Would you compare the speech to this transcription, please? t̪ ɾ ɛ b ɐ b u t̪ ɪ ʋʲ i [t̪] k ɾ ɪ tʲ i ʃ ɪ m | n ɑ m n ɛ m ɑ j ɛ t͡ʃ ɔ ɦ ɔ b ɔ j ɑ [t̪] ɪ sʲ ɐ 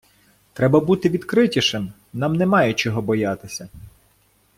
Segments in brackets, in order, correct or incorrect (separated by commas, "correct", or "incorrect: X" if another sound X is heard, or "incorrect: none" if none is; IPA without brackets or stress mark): incorrect: d̪, correct